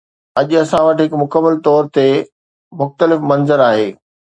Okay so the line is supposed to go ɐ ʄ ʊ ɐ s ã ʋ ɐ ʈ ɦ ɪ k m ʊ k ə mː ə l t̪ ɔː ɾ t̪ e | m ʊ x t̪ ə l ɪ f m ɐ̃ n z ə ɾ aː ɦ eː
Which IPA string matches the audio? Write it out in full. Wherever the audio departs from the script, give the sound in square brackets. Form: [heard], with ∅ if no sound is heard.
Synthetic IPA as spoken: ɐ ʄ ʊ ɐ s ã ʋ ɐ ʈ ɦ ɪ k m ʊ k ə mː ə l t̪ ɔː ɾ t̪ e | m ʊ x t̪ ə l ɪ f m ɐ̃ n z ə ɾ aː ɦ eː

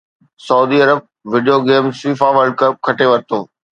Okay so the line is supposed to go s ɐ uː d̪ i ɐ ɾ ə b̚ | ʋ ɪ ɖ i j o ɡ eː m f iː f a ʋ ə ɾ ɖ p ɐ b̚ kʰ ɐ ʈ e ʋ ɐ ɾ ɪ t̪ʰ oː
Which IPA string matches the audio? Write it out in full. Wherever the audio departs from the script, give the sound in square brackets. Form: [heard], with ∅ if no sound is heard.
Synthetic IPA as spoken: s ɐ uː d̪ i ɐ ɾ ə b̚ | ʋ ɪ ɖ i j o ɡ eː m [s] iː f a ʋ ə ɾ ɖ [k] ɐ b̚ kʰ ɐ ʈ e ʋ ɐ ɾ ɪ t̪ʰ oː

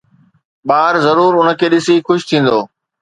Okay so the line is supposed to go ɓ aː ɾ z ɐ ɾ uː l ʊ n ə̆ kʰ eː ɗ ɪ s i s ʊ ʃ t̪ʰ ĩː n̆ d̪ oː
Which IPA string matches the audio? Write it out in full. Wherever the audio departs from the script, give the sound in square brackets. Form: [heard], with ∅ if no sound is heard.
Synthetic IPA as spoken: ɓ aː ɾ z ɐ ɾ uː [ɾ] ʊ n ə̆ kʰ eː ɗ ɪ s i [x] ʊ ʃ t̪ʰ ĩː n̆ d̪ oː

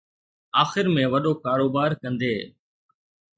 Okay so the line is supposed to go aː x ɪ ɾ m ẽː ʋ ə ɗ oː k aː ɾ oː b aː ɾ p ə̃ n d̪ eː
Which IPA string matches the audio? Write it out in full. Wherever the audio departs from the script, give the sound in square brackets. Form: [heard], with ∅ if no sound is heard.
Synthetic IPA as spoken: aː x ɪ ɾ m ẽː ʋ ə ɗ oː k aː ɾ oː b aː ɾ [k] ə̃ n d̪ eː

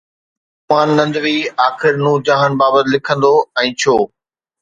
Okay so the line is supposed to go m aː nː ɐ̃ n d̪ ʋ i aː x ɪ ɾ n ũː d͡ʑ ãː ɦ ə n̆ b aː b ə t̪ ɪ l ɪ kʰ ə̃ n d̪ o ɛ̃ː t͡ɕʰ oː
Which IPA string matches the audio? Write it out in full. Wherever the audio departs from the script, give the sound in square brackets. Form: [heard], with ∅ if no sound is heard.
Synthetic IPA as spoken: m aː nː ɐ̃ n d̪ ʋ i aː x ɪ ɾ n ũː d͡ʑ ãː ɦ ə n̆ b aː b ə t̪ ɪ l ɪ kʰ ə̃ n d̪ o ɛ̃ː t͡ɕʰ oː

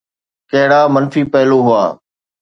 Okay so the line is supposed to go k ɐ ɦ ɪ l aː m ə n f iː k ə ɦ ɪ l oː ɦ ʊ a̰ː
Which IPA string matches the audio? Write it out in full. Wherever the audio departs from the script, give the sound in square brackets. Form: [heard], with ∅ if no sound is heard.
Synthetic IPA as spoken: k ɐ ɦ ɪ [ɽ] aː m ə n f iː [p] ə ɦ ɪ l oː ɦ ʊ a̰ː

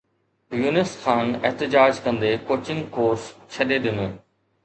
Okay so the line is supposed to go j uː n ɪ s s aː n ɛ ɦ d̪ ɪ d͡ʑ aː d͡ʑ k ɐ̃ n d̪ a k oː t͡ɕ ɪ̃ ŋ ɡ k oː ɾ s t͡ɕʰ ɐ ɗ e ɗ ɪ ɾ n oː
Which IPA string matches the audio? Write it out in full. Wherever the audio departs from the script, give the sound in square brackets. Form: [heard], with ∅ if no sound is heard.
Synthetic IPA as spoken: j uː n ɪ s [x] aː n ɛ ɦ [t̪] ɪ d͡ʑ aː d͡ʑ k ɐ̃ n d̪ [e] k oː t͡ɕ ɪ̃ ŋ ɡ k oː ɾ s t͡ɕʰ ɐ ɗ e ɗ ɪ [∅] n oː

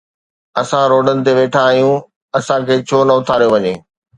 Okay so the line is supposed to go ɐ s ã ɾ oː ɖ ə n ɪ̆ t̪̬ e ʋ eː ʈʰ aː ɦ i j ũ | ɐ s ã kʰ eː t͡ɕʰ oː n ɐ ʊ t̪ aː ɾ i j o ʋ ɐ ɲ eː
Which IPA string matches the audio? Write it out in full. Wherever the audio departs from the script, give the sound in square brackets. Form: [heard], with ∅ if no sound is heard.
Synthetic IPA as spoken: ɐ s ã ɾ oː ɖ ə n ɪ̆ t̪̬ e ʋ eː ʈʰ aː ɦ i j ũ | ɐ s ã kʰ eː t͡ɕʰ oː n ɐ ʊ [t̪ʰ] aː ɾ i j o ʋ ɐ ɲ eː

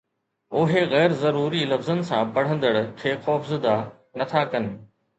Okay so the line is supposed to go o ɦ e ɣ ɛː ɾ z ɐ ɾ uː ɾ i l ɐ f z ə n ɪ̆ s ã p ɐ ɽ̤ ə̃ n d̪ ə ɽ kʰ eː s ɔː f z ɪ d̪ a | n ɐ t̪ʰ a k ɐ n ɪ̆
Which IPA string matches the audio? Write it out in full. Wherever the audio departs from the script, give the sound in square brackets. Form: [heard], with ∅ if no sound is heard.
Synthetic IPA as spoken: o ɦ e ɣ ɛː ɾ z ɐ ɾ uː ɾ i l ɐ f z ə n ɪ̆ s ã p ɐ ɽ̤ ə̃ n d̪ ə ɽ kʰ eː [x] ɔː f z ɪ d̪ a | n ɐ t̪ʰ a k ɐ n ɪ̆

